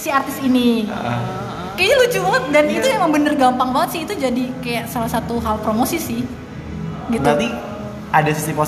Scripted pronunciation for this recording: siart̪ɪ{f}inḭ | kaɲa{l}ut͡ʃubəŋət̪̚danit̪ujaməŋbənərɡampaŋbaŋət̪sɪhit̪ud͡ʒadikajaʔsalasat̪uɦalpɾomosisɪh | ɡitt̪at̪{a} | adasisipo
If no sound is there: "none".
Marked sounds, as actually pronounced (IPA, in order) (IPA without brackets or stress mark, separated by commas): s, l, i